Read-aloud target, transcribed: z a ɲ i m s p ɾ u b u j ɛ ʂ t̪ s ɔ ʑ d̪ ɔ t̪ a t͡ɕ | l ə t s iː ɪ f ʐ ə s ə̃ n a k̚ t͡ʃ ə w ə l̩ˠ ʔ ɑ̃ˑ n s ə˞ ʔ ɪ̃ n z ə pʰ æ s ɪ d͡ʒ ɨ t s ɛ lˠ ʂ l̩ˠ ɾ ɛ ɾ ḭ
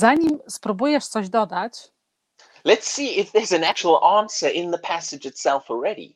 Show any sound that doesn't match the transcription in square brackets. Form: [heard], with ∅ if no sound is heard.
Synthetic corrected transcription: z a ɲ i m s p ɾ u b u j ɛ ʂ t̪ s ɔ ʑ d̪ ɔ [d̪] a t͡ɕ | l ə t s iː ɪ f [ð] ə [z] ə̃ n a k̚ t͡ʃ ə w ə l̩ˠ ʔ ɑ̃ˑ n s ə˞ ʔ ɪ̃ n [ð] ə pʰ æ s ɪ d͡ʒ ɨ t s ɛ lˠ [f] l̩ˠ [ɹ] ɛ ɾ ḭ